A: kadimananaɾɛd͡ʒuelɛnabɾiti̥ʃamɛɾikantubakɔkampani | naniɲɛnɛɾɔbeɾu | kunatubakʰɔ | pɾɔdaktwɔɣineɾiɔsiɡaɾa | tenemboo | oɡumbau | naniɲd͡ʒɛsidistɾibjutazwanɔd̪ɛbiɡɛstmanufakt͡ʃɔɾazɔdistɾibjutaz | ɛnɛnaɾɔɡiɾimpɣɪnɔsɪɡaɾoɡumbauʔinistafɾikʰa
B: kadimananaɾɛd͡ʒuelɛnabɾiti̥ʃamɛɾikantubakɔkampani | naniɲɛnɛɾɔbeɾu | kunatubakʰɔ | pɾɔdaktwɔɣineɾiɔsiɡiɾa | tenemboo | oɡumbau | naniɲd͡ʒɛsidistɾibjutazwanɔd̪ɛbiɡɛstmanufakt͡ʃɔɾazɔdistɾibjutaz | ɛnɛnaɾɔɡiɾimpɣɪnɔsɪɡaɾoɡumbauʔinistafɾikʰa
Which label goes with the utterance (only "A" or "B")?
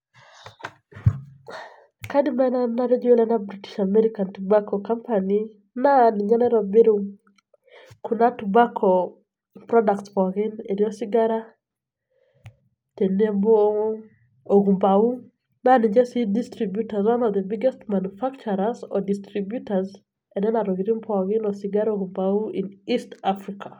A